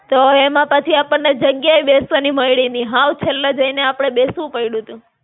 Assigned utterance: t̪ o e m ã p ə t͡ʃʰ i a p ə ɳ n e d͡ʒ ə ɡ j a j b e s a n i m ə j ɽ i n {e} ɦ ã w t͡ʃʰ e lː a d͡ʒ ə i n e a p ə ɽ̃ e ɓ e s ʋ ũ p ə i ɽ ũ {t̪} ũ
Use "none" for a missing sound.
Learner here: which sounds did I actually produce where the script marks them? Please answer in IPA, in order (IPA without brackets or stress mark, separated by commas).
i, t̪